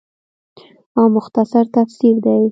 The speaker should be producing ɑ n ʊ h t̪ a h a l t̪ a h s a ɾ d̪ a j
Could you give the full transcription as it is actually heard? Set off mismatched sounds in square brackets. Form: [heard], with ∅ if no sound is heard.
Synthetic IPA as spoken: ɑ [m] ʊ [x] t̪ a [s] a [ɾ] t̪ a [f] s [i] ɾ d̪ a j